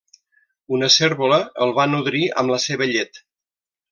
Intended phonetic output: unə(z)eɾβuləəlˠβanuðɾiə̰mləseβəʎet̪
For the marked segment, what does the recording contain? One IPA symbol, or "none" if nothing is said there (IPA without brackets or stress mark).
s